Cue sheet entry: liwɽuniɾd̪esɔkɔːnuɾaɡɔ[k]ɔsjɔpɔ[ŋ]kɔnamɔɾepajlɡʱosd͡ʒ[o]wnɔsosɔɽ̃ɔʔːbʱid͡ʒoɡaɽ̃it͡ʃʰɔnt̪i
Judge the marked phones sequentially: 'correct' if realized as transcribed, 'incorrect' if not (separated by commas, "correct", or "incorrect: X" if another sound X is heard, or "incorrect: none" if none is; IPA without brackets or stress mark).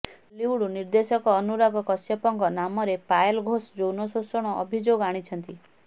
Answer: correct, correct, correct